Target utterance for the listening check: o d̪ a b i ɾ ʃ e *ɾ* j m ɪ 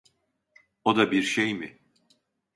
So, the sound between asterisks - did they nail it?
no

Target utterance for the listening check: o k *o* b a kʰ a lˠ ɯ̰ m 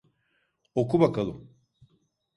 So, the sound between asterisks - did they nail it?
no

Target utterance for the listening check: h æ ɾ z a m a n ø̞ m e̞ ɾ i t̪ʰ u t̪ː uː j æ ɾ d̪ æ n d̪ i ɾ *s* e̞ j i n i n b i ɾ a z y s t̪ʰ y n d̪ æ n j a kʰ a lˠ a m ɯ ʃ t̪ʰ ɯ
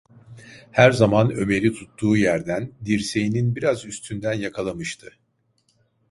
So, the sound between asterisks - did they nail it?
yes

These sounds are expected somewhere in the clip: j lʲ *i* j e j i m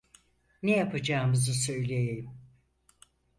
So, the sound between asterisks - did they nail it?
no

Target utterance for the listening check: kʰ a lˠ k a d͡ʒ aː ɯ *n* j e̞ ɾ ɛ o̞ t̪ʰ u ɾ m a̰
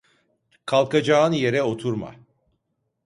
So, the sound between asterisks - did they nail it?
yes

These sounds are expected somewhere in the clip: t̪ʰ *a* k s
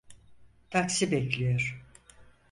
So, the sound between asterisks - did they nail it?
yes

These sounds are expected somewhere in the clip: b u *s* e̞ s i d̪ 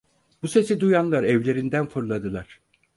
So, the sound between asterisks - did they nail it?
yes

